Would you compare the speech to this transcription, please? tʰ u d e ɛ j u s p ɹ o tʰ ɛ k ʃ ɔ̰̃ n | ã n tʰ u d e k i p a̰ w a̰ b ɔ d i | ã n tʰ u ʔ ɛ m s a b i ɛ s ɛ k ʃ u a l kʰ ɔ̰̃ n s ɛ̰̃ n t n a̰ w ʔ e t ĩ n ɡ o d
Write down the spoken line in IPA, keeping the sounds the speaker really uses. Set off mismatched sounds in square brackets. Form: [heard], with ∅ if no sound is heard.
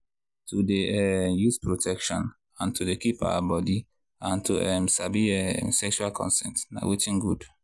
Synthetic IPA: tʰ u d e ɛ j u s p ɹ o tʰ ɛ k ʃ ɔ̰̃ n | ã n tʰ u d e k i p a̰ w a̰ b ɔ d i | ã n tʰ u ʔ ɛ m s a b i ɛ s ɛ k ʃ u a l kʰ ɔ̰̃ n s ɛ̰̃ n t n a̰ w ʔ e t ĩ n ɡ [u] d